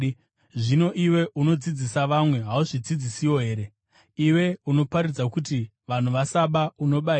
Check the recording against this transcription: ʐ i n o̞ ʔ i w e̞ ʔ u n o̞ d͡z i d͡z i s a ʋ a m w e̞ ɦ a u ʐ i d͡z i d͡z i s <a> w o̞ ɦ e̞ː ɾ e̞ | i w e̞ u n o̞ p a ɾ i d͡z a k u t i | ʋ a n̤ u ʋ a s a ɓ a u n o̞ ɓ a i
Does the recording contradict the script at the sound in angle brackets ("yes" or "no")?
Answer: yes